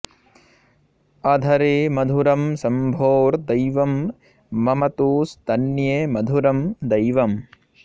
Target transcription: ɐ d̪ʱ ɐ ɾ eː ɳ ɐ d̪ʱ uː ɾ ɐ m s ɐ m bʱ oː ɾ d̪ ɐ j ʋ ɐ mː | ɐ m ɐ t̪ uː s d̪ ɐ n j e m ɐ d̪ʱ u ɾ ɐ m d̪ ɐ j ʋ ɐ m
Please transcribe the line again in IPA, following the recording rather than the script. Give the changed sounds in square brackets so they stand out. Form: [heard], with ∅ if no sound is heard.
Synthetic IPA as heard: ɐ d̪ʱ ɐ ɾ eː [m] ɐ d̪ʱ [u] ɾ ɐ m s ɐ m bʱ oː ɾ d̪ ɐ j ʋ ɐ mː | ɐ m ɐ t̪ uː s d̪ ɐ n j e m ɐ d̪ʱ u ɾ ɐ m d̪ ɐ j ʋ ɐ m